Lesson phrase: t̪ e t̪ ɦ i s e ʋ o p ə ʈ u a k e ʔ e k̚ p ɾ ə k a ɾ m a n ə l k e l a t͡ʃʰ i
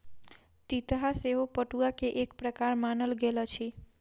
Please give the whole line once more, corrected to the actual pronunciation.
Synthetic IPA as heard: t̪ i t̪ ɦ a s e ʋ o p ə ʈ u a k e ʔ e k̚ p ɾ ə k a ɾ m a n ə l ɡ e l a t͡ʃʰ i

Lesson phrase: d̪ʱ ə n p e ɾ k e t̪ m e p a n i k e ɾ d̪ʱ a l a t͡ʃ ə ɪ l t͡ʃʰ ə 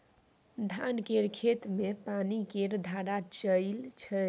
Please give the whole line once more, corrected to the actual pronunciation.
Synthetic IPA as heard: d̪ʱ a n k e ɾ kʰ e t̪ m e p a n i k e ɾ d̪ʱ a ɾ a t͡ʃ ə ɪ l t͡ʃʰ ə

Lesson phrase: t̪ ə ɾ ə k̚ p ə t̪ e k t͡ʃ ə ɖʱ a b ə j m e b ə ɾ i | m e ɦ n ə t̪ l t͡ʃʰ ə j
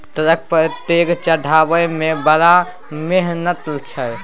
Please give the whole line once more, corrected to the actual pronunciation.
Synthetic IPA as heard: t̪ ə ɾ ə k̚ p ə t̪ e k t͡ʃ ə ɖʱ a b ə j m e b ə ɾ a | m e ɦ n ə t̪ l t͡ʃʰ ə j

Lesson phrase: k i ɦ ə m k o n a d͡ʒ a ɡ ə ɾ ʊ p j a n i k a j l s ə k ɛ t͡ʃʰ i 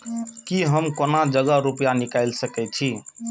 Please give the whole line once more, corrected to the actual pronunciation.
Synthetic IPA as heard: k i ɦ ə m k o n a d͡ʒ ə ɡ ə ɾ u p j a n i k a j l s ə k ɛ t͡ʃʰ i

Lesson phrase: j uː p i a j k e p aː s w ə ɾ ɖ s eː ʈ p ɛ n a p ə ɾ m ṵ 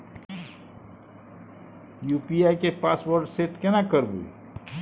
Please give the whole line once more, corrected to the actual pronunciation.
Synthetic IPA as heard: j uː p i a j k e p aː s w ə ɾ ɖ s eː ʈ k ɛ n a k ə ɾ b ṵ

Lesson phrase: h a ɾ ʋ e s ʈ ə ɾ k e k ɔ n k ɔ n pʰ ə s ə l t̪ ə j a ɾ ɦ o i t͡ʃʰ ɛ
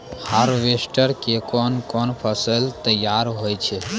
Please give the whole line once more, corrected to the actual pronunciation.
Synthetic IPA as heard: h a ɾ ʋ e s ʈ ə ɾ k e k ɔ n k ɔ n pʰ ə s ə l t̪ ə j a ɾ ɦ o j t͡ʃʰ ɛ

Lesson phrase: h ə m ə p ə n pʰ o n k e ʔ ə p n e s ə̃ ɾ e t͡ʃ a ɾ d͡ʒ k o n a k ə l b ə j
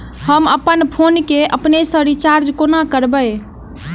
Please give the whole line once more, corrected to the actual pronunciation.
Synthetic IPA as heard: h ə m ə p ə n pʰ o n k e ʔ ə p n e s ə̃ ɾ i t͡ʃ a ɾ d͡ʒ k o n a k ə ɾ b ə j

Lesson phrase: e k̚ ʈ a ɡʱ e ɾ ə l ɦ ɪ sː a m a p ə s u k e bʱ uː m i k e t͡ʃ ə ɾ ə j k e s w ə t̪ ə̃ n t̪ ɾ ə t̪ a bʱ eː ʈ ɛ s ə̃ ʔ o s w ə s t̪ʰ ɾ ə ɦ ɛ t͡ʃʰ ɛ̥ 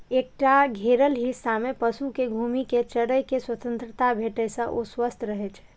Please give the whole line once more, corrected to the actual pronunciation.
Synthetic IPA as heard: e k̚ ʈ a ɡʱ e ɾ ə l ɦ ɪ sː a m e p ə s u k e ɡʱ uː m i k e t͡ʃ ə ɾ ə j k e s w ə t̪ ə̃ n t̪ ɾ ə t̪ a bʱ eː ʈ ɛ s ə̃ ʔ o s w ə s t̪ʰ ɾ ə ɦ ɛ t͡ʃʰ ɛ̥

